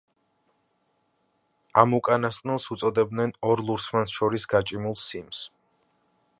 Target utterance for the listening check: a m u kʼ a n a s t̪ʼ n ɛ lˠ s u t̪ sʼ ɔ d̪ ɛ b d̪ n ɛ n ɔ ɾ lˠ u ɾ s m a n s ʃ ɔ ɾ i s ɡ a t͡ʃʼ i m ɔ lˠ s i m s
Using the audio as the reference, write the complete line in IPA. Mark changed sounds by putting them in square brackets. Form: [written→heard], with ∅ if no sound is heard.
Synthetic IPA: a m u kʼ a n a s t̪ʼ n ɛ lˠ s u t̪ sʼ ɔ d̪ ɛ b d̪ n ɛ n ɔ ɾ lˠ u ɾ s m a n s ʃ ɔ ɾ i s ɡ a t͡ʃʼ i m [ɔ→u] lˠ s i m s